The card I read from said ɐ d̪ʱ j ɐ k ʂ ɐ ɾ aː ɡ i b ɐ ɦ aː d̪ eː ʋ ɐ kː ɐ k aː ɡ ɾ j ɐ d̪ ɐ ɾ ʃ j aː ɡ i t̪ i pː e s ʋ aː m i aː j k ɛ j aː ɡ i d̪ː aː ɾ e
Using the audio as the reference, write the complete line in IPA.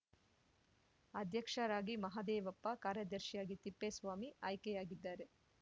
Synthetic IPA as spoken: ɐ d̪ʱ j ɐ k ʂ ɐ ɾ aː ɡ i m ɐ ɦ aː d̪ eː ʋ ɐ pː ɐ k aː ɾ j ɐ d̪ ɐ ɾ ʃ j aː ɡ i t̪ i pː e s ʋ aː m i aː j k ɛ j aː ɡ i d̪ː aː ɾ e